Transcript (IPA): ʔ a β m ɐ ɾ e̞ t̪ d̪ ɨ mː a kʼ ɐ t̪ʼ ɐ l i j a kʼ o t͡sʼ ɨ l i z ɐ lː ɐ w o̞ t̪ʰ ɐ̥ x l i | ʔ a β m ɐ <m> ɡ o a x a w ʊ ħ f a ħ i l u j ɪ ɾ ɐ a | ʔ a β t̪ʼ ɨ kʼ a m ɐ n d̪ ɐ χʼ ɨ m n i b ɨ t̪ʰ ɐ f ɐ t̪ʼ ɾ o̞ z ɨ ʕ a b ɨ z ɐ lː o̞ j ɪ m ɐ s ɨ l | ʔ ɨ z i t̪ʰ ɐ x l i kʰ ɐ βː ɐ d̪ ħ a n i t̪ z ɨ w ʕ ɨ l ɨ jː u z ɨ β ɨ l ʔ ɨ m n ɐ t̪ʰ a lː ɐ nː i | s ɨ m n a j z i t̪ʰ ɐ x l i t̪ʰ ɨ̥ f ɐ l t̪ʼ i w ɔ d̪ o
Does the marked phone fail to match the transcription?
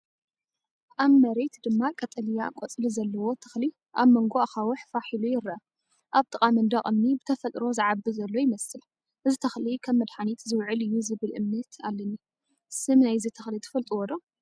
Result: yes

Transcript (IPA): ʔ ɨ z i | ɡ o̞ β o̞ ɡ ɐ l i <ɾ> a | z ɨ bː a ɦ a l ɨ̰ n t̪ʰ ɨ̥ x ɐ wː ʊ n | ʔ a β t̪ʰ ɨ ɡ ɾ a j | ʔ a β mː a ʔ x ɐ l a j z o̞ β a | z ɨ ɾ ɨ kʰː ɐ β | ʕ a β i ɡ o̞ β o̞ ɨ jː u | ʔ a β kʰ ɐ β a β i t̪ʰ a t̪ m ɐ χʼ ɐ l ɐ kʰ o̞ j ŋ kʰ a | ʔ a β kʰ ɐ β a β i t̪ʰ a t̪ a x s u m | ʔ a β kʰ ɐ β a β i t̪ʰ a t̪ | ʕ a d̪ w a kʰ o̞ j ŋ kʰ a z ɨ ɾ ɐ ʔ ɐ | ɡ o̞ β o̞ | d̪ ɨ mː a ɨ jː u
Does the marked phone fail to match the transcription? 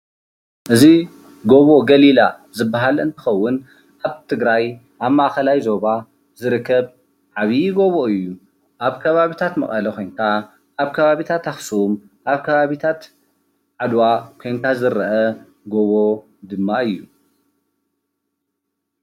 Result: yes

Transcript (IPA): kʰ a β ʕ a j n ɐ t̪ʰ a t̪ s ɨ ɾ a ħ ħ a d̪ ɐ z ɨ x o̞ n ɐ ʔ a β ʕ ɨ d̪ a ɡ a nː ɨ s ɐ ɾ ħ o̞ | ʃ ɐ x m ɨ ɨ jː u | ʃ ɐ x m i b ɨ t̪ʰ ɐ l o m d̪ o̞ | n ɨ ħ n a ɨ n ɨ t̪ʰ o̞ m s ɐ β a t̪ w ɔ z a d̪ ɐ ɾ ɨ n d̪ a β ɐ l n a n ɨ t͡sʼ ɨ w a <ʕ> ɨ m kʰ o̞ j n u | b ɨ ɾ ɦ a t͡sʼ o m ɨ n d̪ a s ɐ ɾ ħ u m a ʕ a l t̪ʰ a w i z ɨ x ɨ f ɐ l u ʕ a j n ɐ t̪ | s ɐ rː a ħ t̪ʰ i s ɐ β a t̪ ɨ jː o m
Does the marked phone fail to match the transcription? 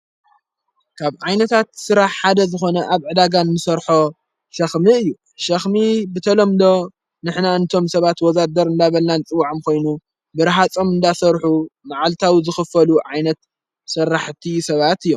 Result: no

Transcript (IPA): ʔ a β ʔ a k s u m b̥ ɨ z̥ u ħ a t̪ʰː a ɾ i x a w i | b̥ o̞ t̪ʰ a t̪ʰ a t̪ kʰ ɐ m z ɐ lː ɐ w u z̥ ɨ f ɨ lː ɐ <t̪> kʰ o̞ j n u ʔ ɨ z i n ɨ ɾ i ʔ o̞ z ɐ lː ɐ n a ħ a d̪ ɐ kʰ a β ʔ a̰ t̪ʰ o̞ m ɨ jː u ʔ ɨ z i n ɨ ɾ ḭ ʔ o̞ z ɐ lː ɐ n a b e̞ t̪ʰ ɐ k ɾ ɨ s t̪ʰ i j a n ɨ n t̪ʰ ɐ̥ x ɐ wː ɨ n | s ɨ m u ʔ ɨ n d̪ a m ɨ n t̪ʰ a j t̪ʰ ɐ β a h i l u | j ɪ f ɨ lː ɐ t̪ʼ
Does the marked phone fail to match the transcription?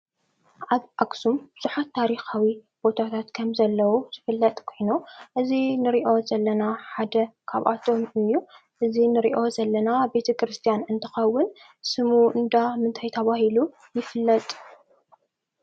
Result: yes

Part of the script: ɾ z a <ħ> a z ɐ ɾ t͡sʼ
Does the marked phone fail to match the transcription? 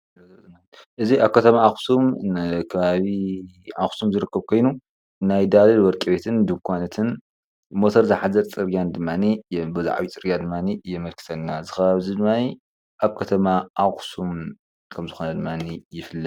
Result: no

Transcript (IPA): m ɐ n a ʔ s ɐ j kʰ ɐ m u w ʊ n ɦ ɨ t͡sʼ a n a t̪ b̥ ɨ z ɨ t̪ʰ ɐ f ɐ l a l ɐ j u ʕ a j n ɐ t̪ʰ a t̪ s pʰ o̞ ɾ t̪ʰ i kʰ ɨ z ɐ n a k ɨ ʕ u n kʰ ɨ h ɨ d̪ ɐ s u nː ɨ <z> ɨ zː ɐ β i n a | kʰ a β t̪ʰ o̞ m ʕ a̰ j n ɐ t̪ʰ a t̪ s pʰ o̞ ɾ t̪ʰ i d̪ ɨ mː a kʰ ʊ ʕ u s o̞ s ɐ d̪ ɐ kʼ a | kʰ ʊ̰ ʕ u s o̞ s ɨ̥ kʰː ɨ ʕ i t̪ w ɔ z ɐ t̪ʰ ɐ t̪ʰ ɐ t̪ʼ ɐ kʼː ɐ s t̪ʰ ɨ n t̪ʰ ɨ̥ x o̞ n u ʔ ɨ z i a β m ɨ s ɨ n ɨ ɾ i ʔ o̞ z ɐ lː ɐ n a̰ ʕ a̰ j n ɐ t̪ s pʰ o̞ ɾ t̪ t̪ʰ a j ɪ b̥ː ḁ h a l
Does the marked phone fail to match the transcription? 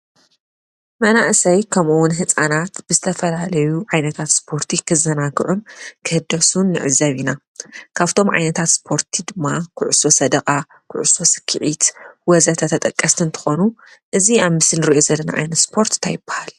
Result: yes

